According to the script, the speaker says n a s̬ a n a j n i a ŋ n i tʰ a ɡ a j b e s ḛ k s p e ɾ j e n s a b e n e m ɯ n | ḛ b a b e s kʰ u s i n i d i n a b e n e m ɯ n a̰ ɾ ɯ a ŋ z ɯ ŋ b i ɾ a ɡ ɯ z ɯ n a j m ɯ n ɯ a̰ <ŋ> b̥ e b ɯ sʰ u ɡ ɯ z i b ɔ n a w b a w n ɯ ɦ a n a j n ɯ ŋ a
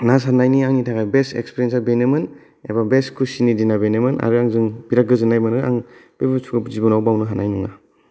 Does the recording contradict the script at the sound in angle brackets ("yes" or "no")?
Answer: no